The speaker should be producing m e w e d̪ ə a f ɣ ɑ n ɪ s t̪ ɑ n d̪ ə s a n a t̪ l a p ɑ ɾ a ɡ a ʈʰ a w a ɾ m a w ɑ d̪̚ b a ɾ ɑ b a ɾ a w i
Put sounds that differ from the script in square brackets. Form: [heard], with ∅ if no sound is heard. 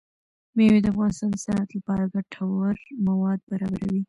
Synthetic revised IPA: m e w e d̪ ə a f ɣ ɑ n ɪ s t̪ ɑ n d̪ ə s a n a t̪ l a p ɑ ɾ a ɡ a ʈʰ a w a ɾ m a w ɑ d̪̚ b a ɾ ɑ b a ɾ a w i